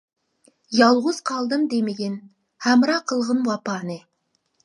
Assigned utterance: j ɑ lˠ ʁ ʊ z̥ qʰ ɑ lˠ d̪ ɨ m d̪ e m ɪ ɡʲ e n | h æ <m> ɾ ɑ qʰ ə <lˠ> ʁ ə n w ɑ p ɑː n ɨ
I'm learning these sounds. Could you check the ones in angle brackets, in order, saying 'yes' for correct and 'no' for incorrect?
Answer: yes, yes

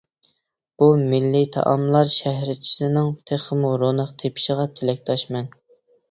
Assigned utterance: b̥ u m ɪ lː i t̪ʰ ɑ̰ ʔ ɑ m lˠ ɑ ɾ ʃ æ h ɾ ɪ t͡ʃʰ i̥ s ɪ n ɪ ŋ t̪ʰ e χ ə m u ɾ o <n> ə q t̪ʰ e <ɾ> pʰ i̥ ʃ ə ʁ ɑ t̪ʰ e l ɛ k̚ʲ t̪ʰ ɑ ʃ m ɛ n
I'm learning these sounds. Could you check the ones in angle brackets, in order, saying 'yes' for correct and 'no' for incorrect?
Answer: yes, no

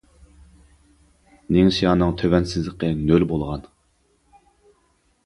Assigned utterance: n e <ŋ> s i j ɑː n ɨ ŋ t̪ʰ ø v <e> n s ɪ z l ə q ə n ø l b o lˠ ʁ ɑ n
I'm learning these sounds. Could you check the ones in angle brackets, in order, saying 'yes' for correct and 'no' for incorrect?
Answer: yes, no

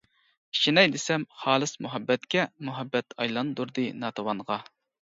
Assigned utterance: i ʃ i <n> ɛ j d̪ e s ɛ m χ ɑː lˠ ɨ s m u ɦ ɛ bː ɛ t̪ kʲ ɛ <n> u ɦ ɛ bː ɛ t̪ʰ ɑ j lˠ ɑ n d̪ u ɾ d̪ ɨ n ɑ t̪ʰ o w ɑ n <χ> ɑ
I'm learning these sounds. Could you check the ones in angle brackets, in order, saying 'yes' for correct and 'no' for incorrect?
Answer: yes, no, no

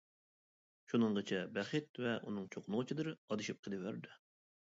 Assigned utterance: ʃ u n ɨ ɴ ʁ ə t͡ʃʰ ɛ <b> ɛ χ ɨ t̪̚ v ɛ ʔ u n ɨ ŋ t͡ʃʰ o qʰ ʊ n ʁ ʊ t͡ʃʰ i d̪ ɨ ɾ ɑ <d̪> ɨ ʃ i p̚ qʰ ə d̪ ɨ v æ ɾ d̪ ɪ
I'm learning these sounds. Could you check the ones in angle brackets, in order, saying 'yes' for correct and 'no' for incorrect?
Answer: yes, yes

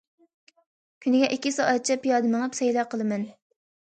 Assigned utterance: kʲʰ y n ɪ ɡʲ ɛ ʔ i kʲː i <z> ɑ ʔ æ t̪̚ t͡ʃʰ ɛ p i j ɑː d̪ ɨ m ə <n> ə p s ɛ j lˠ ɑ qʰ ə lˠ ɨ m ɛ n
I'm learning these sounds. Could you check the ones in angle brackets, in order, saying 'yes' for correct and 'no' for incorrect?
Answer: no, no

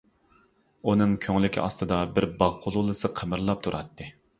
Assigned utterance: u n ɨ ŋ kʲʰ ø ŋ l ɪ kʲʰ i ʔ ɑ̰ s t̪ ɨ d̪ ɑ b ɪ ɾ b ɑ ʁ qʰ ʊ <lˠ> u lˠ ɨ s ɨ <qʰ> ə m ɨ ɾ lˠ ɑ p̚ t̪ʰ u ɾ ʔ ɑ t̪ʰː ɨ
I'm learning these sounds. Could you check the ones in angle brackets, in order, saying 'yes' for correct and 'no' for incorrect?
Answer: yes, yes

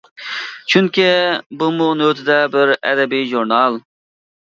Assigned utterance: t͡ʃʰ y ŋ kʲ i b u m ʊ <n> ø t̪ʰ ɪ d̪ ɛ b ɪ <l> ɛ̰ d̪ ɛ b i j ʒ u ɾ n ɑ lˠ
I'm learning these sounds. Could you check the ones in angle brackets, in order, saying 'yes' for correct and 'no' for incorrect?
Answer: yes, no

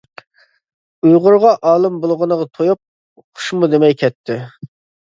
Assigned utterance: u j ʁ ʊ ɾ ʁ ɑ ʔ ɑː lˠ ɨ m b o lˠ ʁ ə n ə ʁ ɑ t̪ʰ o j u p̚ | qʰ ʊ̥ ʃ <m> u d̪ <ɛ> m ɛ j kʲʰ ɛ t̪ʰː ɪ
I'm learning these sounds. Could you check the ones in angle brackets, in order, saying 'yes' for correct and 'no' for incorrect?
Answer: yes, no

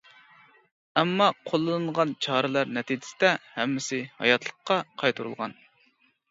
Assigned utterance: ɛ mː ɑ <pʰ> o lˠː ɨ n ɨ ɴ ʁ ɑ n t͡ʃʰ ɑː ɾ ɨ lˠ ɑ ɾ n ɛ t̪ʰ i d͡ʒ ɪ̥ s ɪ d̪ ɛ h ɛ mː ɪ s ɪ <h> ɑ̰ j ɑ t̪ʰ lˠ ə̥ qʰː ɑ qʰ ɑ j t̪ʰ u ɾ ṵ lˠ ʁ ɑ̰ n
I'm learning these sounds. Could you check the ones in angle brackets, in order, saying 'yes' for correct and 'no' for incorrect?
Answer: no, yes

